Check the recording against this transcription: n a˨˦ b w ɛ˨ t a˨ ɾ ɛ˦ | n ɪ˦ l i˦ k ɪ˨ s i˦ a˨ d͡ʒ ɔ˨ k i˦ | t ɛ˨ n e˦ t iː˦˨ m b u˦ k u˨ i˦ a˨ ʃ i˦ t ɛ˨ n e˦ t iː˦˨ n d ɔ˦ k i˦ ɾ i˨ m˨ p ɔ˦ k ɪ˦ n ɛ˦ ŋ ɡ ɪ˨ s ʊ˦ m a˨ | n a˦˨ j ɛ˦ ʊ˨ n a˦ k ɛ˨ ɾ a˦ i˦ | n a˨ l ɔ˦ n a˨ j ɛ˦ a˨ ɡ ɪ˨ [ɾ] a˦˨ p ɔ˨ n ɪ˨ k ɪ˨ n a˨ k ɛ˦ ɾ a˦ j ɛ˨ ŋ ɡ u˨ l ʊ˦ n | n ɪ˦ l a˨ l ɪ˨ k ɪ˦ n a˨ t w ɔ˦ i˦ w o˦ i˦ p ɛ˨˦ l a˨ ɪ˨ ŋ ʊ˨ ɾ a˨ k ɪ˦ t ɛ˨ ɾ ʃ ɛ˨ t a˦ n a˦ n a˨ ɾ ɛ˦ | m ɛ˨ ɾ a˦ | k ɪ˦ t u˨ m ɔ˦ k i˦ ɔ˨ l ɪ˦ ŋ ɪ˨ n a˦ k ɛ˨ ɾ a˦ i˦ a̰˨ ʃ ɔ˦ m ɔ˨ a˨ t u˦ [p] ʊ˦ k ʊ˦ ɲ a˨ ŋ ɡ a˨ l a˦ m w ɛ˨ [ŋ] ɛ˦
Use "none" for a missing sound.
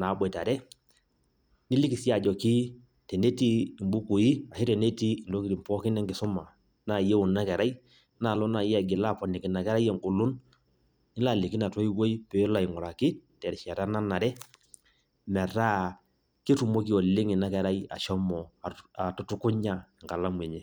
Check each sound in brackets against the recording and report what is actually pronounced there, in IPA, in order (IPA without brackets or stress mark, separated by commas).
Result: l, t, ɲ